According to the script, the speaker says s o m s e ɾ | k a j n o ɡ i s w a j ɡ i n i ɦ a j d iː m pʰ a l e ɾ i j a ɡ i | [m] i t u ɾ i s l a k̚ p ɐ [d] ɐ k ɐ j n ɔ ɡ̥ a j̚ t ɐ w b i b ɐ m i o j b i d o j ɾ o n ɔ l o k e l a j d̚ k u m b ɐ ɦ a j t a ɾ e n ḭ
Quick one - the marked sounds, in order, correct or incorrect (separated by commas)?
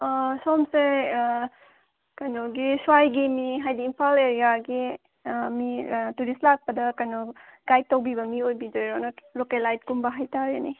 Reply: correct, correct